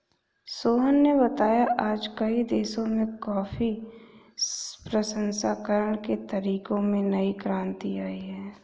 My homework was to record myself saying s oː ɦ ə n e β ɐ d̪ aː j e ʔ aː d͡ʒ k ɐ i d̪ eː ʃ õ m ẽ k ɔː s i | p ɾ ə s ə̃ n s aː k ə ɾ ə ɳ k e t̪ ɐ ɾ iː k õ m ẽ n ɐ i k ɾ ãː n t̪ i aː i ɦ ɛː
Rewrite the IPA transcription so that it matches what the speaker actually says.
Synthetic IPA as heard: s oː ɦ ə nː e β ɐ t̪ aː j a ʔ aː d͡ʒ k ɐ i d̪ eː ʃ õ m ẽ k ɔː f i | p ɾ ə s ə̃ n s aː k ə ɾ ə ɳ k e t̪ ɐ ɾ iː k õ m ẽ n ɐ i k ɾ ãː n t̪ i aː i ɦ ɛː